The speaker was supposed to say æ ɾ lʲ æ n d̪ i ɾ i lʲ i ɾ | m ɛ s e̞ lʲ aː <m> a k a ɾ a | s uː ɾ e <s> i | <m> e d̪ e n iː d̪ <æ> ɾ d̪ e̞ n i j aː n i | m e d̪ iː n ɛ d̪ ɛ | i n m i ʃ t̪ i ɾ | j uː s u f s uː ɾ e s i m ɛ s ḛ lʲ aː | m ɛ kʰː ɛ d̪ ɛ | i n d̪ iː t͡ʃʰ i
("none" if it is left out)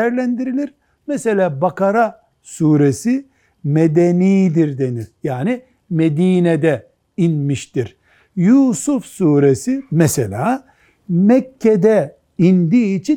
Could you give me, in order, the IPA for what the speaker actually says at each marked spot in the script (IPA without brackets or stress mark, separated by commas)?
b, s, m, i